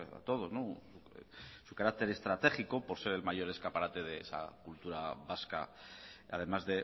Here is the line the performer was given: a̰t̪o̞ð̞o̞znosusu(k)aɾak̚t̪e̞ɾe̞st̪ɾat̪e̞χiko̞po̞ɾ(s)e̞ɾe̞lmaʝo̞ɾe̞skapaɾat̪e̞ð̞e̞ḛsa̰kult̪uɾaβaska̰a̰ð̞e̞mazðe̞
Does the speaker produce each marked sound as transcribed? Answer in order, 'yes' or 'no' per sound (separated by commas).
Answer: yes, yes